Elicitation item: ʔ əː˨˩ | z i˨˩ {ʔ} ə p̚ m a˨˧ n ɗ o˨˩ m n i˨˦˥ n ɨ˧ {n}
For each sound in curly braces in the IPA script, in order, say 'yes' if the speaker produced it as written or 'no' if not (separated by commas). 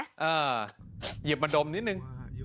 no, no